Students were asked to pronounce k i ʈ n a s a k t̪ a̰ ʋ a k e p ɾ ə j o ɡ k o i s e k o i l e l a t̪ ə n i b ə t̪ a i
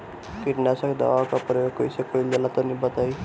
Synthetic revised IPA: k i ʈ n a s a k d̪ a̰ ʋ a k a p ɾ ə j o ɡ k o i s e k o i l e l a t̪ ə n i b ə t̪ a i